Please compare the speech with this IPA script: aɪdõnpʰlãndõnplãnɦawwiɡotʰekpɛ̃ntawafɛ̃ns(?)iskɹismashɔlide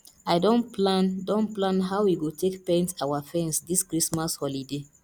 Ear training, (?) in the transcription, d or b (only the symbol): d